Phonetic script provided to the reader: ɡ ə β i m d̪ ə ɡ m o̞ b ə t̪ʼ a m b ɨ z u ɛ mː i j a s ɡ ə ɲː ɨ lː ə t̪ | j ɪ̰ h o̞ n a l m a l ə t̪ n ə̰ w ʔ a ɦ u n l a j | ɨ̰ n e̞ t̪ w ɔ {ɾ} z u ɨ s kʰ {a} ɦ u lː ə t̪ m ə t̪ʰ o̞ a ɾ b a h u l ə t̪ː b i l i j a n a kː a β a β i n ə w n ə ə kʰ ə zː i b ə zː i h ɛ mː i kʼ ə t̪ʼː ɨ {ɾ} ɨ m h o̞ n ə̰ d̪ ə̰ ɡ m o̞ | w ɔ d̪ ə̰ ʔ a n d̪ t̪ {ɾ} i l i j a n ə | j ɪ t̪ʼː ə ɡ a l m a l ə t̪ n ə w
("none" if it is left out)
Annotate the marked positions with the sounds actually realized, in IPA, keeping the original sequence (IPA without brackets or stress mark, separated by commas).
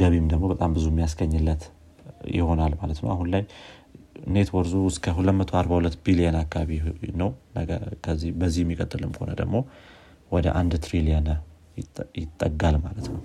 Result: ɾ, ə, l, ɾ